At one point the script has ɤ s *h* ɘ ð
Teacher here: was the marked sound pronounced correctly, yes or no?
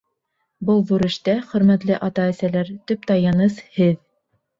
yes